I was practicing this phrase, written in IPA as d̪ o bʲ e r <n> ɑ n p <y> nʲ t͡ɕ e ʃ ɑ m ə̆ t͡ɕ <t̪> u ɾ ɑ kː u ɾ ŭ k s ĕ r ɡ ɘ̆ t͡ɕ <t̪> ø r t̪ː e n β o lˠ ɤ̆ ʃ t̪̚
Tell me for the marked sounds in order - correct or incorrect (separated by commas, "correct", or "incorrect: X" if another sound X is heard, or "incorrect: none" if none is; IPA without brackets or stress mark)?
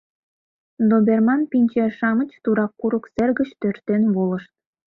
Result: incorrect: m, incorrect: i, correct, correct